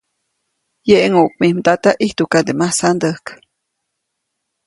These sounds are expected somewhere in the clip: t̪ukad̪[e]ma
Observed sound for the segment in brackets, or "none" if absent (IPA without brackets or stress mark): e